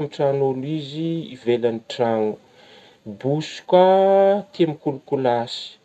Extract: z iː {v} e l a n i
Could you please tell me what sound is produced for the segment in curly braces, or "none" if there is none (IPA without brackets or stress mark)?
v